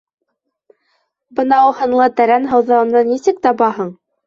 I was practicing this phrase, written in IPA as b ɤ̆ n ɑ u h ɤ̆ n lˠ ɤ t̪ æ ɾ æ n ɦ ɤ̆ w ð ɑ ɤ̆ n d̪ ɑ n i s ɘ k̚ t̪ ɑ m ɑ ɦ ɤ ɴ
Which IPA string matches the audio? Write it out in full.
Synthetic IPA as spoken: b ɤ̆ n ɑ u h ɤ̆ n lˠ ɤ t̪ æ ɾ æ n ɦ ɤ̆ w ð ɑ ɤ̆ n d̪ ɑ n i s ɘ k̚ t̪ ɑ b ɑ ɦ ɤ ɴ